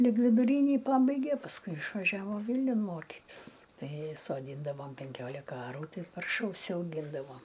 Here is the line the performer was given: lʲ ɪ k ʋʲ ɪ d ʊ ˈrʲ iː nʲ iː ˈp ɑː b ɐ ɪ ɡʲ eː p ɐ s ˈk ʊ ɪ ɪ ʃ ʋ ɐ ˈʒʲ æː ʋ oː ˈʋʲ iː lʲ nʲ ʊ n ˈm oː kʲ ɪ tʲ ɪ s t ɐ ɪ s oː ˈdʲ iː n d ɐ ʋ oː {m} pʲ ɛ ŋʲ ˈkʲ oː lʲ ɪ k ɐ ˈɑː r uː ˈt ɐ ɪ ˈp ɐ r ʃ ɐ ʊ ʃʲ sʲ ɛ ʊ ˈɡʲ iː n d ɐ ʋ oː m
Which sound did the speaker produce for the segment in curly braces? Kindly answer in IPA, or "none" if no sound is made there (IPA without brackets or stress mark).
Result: m